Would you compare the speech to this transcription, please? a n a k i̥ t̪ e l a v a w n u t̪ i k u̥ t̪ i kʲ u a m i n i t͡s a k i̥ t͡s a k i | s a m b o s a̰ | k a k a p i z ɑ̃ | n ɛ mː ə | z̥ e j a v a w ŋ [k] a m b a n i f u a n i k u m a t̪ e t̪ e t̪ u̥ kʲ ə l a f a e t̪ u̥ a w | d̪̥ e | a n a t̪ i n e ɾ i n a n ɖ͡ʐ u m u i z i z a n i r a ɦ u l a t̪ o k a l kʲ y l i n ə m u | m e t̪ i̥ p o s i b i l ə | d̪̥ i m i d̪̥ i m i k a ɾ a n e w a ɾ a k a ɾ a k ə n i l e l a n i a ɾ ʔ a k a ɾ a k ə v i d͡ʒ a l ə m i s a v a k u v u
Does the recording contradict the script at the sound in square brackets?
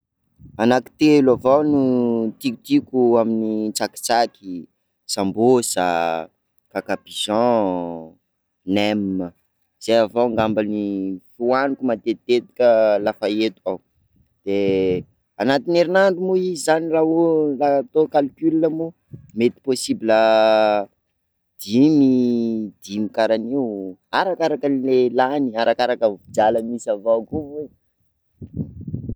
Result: yes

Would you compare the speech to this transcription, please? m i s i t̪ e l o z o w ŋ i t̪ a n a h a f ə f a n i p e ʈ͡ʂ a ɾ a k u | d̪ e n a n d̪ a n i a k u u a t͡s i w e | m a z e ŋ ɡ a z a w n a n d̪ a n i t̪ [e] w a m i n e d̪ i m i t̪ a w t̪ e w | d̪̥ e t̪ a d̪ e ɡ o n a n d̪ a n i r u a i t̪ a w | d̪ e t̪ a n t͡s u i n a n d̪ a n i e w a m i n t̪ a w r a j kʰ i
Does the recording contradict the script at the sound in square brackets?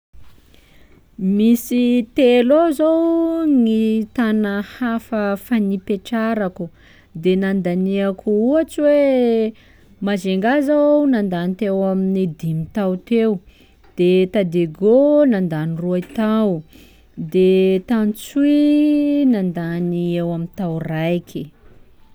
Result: no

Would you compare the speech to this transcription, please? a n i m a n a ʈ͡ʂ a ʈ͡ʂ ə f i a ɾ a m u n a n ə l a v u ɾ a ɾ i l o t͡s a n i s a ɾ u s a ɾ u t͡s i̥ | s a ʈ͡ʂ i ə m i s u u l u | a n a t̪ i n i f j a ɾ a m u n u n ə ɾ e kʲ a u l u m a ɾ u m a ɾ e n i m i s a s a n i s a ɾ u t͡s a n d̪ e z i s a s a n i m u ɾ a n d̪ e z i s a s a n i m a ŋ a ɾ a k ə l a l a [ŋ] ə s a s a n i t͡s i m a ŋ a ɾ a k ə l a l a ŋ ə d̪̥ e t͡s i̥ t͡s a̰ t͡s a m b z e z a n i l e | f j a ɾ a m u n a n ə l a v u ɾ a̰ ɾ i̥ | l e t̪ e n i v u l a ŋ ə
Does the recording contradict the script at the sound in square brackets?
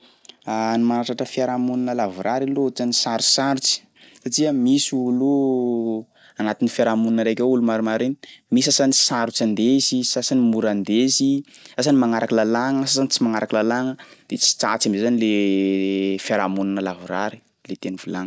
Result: no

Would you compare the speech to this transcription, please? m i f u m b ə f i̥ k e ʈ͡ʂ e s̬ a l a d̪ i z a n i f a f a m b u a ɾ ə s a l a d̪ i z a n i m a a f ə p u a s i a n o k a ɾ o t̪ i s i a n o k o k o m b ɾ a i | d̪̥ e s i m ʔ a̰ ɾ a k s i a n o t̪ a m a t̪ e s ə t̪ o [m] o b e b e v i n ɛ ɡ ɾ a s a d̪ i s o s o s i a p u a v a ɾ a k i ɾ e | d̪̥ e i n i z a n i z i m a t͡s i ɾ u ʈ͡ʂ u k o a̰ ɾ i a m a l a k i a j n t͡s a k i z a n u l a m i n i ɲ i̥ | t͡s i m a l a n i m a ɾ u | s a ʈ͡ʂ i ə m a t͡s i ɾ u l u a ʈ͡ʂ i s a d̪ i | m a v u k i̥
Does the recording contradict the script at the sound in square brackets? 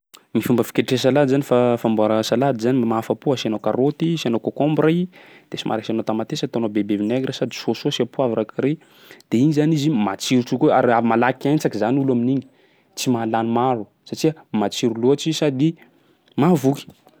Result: yes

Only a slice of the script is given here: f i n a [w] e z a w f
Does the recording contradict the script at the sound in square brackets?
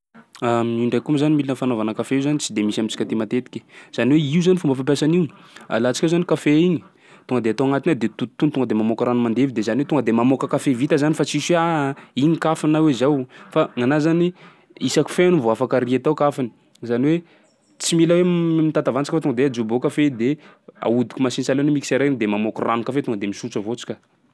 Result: no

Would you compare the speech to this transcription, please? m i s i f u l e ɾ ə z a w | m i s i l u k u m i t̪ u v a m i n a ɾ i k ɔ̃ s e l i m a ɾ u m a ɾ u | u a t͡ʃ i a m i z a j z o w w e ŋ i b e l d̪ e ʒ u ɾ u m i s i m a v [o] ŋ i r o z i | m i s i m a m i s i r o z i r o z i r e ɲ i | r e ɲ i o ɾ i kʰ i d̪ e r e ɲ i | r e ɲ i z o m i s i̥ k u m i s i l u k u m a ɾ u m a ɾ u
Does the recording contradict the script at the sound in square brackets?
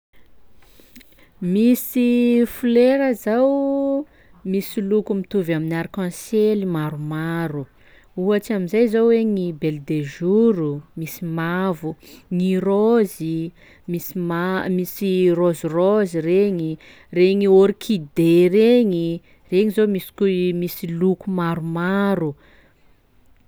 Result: yes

